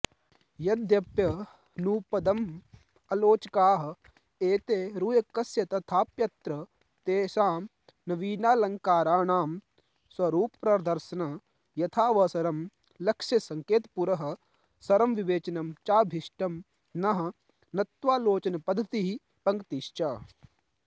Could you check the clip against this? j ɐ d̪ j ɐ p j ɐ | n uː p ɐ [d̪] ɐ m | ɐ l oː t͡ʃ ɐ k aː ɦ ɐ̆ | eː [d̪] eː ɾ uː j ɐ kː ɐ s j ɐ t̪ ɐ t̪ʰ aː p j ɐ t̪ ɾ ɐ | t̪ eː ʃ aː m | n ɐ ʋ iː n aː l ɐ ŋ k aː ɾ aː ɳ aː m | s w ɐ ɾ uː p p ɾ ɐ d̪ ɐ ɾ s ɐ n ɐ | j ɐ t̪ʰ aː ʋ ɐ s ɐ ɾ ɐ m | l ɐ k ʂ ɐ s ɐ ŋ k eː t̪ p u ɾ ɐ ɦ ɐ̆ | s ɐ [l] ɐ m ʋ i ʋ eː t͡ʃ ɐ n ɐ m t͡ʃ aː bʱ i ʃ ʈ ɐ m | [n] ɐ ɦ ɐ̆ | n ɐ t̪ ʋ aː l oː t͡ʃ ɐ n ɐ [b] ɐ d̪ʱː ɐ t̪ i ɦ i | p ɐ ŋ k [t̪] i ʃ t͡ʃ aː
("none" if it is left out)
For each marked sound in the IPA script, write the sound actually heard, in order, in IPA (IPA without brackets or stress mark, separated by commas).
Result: d̪, t̪, ɾ, n, p, t̪